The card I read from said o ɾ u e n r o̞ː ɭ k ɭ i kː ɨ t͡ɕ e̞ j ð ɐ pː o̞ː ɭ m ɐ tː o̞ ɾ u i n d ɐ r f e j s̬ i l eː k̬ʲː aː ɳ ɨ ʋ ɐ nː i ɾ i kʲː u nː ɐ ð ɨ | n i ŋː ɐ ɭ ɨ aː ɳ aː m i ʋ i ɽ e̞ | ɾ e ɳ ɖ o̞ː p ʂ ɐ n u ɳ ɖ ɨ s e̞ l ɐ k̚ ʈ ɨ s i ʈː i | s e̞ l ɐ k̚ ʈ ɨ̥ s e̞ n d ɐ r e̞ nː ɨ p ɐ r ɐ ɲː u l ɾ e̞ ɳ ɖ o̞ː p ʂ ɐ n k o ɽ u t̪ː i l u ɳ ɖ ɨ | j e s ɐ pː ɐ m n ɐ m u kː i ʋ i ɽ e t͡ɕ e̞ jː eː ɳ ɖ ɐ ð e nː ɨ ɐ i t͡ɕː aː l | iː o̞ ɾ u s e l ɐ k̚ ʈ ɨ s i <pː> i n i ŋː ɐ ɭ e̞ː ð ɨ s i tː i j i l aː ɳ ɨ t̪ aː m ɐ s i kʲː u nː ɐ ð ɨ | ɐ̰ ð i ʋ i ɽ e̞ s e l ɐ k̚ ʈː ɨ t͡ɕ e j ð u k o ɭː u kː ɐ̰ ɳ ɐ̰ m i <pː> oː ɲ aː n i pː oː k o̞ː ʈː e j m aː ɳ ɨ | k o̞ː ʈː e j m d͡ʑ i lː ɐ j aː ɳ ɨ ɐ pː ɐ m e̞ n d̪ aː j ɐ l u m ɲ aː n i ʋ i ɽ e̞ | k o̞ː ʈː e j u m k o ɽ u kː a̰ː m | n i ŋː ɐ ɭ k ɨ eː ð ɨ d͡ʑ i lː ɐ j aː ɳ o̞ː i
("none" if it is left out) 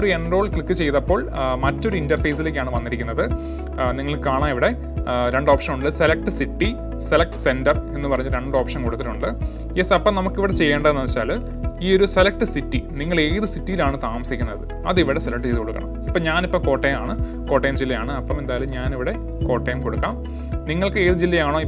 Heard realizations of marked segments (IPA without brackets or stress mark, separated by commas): tː, pː